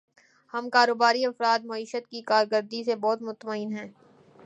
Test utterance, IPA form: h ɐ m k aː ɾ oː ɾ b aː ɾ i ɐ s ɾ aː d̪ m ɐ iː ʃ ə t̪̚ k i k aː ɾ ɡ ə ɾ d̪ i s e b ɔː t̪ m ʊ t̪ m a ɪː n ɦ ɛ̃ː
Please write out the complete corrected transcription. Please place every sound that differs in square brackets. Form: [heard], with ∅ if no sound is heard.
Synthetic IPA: h ɐ m k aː ɾ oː [∅] b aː ɾ i ɐ [f] ɾ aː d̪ m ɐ iː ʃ ə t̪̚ k i k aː ɾ ɡ ə ɾ d̪ i s e b ɔː t̪ m ʊ t̪ m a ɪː n ɦ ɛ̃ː